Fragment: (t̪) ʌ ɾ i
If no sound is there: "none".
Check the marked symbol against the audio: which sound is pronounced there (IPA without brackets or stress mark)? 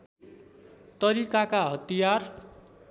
t̪